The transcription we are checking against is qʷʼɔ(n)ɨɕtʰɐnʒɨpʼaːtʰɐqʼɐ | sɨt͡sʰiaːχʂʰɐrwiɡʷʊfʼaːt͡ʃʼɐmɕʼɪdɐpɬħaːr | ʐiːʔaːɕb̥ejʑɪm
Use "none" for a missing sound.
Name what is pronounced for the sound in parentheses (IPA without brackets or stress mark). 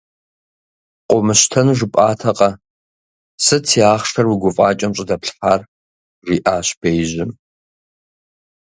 m